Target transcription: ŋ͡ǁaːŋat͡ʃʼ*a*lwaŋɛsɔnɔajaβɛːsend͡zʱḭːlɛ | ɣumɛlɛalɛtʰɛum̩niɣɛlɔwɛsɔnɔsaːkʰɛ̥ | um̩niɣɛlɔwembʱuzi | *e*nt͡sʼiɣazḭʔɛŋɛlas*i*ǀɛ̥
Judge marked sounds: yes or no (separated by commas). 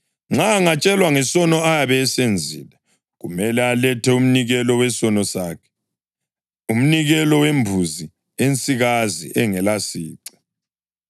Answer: no, yes, no